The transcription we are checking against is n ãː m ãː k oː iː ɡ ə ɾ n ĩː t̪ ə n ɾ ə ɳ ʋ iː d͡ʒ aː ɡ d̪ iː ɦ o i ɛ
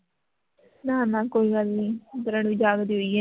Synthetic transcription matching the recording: n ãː n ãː k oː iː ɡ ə l n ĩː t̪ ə ɾ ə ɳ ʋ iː d͡ʒ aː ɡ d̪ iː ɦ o i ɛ

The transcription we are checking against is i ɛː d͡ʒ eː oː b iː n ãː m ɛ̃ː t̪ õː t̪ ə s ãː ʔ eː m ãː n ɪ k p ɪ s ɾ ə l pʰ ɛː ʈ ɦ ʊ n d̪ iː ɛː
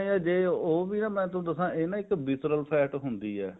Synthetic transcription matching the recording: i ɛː d͡ʒ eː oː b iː n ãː m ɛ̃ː t̪ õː d̪ ə s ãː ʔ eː n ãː ɪ k b ɪ s ɾ ə l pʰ ɛː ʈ ɦ ʊ n d̪ iː ɛː

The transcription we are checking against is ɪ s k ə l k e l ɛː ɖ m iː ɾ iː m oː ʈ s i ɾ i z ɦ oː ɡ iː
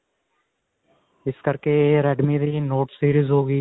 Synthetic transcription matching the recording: ɪ s k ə ɾ k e ɾ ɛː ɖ m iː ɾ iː n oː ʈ s iː ɾ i z ɦ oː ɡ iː

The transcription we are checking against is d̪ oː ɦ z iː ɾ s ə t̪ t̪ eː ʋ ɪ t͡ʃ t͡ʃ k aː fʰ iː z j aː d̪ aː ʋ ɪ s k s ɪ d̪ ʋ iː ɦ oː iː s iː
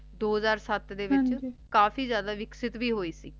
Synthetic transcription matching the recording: d̪ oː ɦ z aː ɾ s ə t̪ d̪ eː ʋ ɪ t͡ʃ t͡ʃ k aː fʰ iː z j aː d̪ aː ʋ ɪ k s ɪ t̪ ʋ iː ɦ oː iː s iː

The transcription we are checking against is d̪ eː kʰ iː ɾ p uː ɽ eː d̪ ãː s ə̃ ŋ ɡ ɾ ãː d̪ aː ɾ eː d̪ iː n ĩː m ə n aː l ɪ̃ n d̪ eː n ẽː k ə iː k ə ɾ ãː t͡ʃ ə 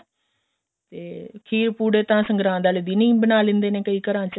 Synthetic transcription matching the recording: t̪ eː kʰ iː ɾ p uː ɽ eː t̪ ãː s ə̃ ŋ ɡ ɾ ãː d̪ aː l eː d̪ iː n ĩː b ə n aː l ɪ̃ n d̪ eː n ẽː k ə iː k ə ɾ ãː t͡ʃ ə

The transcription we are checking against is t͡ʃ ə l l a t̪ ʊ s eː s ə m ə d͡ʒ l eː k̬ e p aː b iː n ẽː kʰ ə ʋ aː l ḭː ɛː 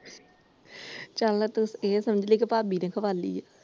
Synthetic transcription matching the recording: t͡ʃ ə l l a t̪ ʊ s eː s ə m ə d͡ʒ l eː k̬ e p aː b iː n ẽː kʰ ə ʋ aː l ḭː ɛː

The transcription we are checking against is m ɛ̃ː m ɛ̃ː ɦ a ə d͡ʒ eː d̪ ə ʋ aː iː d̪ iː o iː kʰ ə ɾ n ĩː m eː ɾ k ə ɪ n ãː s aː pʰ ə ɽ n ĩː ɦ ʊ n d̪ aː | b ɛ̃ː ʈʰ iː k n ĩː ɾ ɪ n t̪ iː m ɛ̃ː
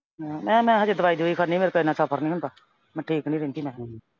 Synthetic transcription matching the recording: m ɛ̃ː m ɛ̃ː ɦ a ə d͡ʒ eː d̪ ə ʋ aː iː d̪ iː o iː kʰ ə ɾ n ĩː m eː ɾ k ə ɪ n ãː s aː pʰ ə ɾ n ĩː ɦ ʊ n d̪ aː | m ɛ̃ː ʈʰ iː k n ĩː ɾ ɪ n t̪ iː m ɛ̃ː

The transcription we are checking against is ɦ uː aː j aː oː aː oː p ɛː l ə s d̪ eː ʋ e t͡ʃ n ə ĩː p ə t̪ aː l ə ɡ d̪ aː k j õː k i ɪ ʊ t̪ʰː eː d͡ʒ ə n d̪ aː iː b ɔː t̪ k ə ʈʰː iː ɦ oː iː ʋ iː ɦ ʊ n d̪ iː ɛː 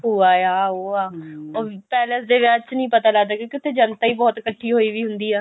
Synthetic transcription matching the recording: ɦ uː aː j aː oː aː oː p ɛː l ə s d̪ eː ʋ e t͡ʃ n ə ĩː p ə t̪ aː l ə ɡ d̪ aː k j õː k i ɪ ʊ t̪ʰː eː d͡ʒ ə n t̪ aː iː b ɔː t̪ k ə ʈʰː iː ɦ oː iː ʋ iː ɦ ʊ n d̪ iː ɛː

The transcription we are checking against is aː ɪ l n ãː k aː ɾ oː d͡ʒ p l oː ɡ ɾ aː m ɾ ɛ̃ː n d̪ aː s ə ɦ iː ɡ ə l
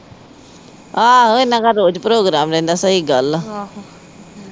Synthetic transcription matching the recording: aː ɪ n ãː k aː ɾ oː d͡ʒ p ɾ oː ɡ ɾ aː m ɾ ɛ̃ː n d̪ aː s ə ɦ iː ɡ ə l

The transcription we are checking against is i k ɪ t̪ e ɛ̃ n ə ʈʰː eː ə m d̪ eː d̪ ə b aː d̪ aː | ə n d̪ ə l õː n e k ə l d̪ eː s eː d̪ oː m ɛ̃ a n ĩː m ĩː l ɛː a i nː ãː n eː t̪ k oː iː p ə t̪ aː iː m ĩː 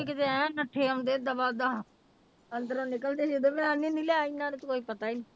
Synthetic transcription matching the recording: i k ɪ t̪ e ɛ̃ n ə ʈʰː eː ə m d̪ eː d̪ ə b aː d̪ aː | ə n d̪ ə ɾ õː n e k ə l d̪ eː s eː d̪ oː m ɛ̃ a n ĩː n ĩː l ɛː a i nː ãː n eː t̪ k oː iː p ə t̪ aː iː n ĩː

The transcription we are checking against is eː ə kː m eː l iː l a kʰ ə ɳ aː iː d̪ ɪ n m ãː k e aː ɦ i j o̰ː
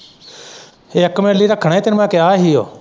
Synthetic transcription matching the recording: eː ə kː m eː l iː ɾ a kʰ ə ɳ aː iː t̪ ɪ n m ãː k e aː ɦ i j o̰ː

